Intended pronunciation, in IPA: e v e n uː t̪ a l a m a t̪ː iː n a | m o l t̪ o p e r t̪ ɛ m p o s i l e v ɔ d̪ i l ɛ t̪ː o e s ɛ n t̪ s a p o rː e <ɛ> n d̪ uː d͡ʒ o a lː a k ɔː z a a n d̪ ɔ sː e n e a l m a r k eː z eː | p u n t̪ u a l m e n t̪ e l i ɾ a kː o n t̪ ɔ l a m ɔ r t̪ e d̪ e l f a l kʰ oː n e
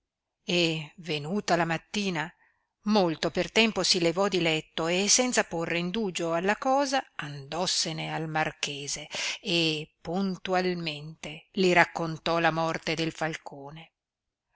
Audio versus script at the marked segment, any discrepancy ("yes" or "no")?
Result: yes